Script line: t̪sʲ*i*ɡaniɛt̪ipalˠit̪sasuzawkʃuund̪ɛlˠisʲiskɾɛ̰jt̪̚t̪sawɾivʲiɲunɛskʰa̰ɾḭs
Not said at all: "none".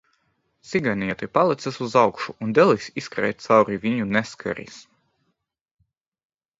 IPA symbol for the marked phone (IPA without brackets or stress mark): i